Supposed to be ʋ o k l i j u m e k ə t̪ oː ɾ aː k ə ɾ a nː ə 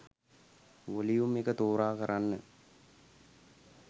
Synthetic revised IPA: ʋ o l i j u m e k ə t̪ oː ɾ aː k ə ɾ a nː ə